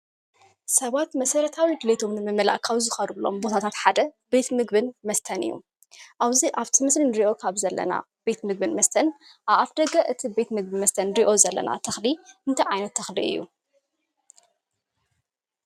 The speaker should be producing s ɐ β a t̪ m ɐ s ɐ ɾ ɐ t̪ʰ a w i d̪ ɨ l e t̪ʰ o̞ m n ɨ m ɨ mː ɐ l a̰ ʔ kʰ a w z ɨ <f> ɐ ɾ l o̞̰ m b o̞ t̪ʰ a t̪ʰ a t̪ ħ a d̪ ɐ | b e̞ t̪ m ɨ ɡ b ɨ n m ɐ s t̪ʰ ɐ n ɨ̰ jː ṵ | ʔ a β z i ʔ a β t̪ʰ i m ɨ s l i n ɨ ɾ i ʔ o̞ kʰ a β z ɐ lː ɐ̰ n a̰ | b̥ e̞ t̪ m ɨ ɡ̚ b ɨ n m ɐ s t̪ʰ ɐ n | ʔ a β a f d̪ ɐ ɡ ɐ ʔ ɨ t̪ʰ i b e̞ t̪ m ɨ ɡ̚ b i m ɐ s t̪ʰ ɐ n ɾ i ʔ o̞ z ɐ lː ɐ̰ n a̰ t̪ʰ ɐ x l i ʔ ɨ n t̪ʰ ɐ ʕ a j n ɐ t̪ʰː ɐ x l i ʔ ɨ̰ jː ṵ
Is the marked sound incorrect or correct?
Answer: incorrect: x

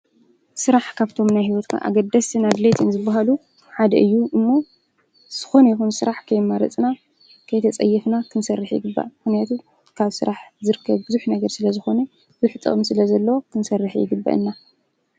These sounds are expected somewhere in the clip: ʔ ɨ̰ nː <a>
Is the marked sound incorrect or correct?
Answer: correct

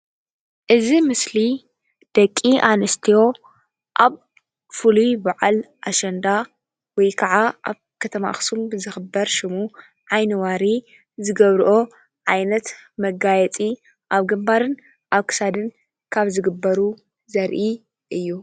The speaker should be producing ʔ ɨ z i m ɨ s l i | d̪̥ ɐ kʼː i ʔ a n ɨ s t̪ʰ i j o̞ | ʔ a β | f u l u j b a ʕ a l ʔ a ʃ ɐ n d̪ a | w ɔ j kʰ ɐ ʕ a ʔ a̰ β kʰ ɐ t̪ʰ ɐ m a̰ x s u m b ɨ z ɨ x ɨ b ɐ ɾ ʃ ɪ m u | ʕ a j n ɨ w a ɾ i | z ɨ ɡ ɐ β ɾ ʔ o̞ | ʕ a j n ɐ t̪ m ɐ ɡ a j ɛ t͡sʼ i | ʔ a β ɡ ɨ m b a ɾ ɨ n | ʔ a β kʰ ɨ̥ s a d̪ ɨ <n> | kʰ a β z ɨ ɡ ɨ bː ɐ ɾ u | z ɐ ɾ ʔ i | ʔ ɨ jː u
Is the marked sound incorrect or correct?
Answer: correct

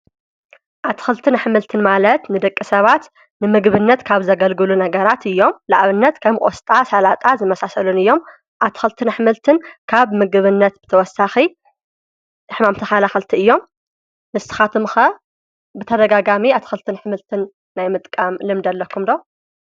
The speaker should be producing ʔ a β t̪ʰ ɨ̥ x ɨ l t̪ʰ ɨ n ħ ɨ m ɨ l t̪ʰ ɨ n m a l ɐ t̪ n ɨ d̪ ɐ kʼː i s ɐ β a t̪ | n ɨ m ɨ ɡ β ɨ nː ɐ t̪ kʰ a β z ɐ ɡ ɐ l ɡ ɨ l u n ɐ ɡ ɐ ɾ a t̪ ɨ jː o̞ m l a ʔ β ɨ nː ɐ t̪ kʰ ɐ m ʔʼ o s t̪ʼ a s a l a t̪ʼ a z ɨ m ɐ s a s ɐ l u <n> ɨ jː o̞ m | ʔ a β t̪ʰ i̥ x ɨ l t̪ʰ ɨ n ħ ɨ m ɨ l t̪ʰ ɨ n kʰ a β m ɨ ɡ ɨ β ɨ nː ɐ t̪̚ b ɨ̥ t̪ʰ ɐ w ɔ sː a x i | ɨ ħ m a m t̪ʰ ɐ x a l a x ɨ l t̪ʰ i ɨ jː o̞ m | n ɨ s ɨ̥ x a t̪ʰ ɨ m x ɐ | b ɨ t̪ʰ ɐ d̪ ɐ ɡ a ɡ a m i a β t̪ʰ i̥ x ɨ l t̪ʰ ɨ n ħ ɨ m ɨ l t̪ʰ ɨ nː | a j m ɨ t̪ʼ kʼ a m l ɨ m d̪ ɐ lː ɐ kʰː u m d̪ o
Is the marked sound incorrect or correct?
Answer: correct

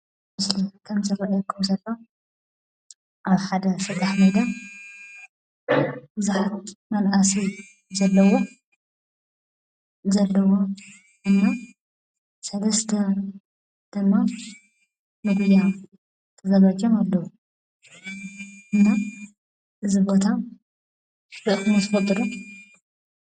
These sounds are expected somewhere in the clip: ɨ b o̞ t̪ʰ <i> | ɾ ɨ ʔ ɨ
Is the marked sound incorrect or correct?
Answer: incorrect: a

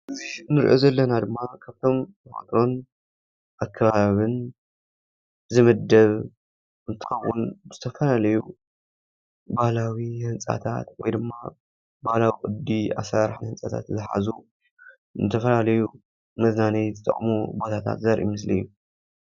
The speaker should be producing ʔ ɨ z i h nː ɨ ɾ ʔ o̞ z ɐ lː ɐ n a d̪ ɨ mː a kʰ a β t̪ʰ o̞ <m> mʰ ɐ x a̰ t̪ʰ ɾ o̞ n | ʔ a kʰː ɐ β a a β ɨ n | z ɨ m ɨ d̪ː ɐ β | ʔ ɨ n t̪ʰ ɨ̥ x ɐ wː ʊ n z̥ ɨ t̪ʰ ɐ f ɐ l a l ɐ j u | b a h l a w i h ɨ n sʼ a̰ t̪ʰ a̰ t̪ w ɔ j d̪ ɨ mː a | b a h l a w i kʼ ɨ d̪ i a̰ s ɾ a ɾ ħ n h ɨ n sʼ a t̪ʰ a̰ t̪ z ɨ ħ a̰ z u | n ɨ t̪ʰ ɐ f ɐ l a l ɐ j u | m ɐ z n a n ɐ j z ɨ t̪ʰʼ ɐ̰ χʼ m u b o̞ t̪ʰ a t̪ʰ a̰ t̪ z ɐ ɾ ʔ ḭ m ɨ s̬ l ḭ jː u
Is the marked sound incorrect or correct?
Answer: correct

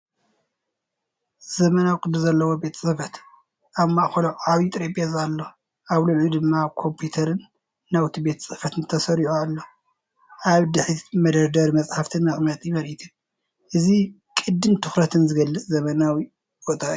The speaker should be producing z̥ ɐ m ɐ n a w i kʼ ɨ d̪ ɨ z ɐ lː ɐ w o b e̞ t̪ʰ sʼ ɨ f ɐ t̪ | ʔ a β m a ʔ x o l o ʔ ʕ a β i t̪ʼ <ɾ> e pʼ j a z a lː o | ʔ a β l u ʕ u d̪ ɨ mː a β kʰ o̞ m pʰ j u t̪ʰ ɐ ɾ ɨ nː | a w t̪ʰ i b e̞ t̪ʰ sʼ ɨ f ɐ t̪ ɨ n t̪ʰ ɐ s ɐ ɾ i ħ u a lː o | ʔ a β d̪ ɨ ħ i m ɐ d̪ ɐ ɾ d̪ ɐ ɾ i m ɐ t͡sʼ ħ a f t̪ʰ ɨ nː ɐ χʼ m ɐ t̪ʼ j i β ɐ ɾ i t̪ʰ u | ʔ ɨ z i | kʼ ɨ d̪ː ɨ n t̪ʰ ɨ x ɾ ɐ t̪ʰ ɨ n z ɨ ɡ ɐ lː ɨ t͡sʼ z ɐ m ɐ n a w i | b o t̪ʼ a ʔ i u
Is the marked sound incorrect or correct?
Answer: correct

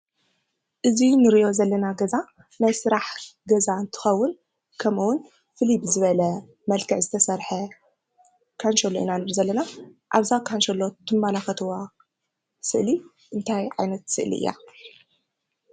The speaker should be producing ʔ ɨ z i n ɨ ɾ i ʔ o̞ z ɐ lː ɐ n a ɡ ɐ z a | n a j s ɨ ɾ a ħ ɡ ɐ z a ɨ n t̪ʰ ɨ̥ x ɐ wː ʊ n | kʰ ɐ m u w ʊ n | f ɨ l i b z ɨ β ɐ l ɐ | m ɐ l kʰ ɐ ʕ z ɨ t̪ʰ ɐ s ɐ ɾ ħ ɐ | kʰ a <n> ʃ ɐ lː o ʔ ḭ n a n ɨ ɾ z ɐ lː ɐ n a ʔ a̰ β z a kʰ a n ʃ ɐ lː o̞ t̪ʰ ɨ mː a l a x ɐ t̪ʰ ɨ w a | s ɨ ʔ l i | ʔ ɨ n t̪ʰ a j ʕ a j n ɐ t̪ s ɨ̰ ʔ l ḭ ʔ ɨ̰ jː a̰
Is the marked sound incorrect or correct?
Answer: correct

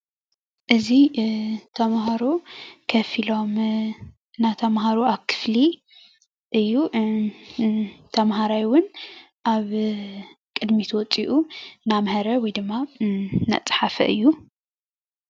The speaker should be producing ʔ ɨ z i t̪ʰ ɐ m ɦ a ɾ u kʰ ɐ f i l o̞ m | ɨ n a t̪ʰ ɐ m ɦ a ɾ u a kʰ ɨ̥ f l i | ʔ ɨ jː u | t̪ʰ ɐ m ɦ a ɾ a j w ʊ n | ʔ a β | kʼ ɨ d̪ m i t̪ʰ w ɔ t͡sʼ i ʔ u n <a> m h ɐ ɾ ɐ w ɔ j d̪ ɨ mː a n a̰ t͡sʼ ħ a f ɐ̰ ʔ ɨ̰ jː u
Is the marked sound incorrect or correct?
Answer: correct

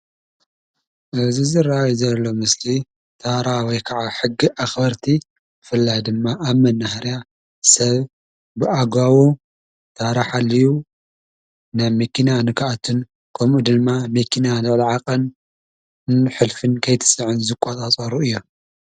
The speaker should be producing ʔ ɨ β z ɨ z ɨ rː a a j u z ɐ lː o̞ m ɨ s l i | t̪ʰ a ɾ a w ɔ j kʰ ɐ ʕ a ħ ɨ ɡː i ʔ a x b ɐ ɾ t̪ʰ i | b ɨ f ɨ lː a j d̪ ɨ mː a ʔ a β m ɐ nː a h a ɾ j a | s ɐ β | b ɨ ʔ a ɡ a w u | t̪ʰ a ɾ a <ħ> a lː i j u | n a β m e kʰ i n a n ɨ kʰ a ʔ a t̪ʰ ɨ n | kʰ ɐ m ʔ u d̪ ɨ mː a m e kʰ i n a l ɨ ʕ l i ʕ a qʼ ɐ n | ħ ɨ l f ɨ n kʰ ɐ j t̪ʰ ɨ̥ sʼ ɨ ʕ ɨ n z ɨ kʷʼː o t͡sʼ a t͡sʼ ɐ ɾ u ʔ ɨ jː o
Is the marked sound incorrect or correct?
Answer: correct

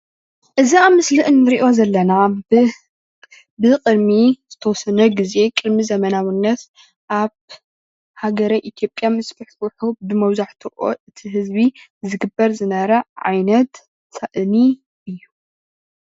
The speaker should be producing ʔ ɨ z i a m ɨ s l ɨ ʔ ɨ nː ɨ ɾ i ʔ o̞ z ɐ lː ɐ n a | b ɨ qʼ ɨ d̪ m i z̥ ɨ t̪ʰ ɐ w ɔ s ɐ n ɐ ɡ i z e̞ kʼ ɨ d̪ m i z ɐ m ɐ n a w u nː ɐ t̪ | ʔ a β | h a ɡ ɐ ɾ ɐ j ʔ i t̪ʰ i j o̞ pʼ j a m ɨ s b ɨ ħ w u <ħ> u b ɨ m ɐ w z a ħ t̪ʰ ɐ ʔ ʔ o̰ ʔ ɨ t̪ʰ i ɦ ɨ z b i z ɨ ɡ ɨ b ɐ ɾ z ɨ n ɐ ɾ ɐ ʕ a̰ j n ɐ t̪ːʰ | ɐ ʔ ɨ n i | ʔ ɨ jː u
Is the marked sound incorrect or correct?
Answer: correct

